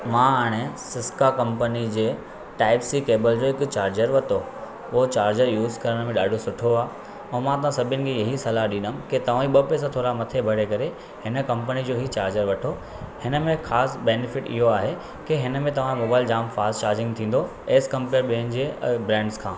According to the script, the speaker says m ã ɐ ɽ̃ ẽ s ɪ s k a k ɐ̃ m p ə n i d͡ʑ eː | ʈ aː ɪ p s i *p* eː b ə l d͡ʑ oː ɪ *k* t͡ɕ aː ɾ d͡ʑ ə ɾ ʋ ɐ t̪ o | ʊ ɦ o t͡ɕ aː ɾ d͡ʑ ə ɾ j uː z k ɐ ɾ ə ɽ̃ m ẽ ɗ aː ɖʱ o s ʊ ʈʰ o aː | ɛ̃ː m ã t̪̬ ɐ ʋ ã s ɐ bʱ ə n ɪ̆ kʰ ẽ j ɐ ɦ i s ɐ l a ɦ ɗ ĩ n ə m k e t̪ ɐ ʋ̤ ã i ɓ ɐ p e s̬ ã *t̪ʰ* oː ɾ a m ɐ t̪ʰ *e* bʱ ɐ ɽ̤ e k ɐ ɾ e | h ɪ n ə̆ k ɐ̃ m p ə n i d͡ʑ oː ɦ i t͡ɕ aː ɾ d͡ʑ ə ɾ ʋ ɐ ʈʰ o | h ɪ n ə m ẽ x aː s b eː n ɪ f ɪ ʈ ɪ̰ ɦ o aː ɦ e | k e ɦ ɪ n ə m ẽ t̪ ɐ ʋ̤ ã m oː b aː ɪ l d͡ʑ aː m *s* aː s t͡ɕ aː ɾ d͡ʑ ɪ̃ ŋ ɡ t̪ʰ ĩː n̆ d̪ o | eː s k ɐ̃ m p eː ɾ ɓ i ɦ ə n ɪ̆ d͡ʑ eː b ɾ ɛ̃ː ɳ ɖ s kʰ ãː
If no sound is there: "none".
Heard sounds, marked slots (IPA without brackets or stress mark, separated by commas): k, k, t̪ʰ, e, f